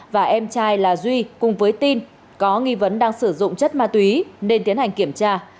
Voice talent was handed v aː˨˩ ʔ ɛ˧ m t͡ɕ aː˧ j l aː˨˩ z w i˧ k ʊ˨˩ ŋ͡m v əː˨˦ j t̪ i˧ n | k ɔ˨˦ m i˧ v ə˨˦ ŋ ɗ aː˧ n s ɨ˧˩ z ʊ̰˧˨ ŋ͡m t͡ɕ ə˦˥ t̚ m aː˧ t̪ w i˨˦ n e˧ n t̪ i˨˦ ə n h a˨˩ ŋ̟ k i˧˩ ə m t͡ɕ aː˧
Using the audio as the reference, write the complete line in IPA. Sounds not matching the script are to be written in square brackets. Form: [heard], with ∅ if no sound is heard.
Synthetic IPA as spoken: v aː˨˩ ʔ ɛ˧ m t͡ɕ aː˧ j l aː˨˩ z w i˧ k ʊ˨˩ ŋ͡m v əː˨˦ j t̪ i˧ n | k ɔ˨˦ [ŋ] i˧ v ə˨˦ [n] ɗ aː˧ [ŋ] s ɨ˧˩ z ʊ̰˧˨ ŋ͡m t͡ɕ ə˦˥ t̚ m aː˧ t̪ w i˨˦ n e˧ n t̪ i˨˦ ə n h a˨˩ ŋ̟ k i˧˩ ə m t͡ɕ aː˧